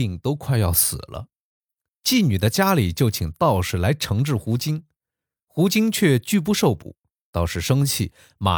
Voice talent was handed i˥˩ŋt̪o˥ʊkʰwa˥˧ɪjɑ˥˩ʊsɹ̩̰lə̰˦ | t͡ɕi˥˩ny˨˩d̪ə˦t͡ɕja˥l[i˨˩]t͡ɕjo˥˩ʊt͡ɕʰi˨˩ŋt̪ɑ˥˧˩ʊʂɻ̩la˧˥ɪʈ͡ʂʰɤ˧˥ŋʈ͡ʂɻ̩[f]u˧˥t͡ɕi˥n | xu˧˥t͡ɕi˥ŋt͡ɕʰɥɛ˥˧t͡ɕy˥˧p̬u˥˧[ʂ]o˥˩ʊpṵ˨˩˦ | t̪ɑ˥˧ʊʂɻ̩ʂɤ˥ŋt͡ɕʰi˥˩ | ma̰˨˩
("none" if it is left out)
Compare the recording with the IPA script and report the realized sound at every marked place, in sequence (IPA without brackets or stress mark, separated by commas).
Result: i˨˩, x, ʂ